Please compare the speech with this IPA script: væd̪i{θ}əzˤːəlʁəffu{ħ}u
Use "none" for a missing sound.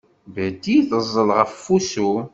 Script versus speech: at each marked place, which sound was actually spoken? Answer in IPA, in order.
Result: θ, s

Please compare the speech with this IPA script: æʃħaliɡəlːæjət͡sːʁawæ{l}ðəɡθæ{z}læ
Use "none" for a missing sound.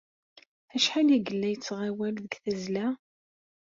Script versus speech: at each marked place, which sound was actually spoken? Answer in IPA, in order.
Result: l, z

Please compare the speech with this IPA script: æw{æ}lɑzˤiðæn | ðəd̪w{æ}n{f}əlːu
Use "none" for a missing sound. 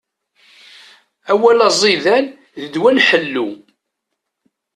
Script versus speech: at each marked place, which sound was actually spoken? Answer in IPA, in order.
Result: æ, æ, ħ

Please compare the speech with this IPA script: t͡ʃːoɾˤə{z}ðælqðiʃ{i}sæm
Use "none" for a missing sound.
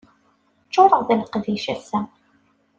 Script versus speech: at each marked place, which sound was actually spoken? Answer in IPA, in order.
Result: ʁ, æ

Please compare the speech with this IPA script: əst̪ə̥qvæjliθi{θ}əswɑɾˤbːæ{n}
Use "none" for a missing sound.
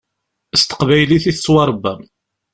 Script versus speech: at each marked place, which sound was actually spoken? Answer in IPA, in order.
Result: θ, m

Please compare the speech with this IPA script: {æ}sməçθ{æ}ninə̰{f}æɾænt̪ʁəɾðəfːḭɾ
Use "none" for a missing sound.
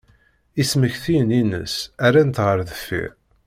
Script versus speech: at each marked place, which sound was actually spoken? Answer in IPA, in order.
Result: i, i, s

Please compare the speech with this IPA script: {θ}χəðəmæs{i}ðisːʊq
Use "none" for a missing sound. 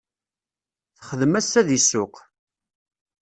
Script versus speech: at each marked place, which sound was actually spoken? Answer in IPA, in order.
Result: θ, æ

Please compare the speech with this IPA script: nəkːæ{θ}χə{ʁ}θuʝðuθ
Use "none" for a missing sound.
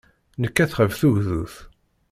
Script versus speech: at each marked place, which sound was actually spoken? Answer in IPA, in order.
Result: θ, v

